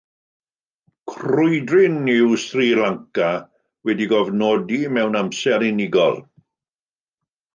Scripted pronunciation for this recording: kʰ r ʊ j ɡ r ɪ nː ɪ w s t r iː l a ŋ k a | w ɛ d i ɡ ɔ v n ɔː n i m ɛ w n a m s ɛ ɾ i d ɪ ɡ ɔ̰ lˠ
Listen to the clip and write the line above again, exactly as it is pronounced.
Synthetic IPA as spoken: kʰ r ʊ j d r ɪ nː ɪ w s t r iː l a ŋ k a | w ɛ d i ɡ ɔ v n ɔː d i m ɛ w n a m s ɛ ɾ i n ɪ ɡ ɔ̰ lˠ